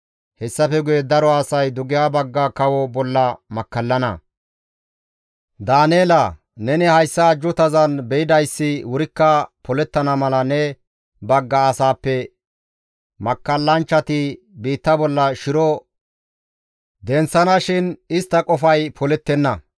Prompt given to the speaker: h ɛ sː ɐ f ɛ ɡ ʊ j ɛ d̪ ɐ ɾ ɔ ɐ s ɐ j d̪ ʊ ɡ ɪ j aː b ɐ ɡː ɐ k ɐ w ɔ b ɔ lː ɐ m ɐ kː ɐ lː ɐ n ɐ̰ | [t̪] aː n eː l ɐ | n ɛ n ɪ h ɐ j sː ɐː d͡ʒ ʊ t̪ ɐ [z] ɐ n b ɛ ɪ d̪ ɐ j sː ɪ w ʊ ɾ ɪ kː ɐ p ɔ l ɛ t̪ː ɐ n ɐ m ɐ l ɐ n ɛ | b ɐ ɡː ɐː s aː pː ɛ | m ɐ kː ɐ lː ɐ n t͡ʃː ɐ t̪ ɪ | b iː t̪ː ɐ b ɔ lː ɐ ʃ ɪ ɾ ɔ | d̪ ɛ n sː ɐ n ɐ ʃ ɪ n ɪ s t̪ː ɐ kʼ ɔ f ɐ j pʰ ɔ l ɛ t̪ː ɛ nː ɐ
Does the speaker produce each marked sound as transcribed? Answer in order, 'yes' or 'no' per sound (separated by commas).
no, yes